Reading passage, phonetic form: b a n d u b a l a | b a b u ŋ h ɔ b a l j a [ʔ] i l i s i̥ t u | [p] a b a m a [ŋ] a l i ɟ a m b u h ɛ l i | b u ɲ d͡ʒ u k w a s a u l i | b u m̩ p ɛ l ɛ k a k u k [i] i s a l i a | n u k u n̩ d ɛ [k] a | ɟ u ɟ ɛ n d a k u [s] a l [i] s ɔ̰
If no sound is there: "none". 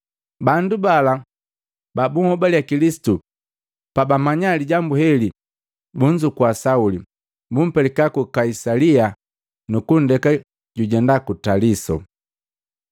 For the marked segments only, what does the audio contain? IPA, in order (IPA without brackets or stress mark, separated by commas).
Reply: k, p, ɲ, a, k, t, i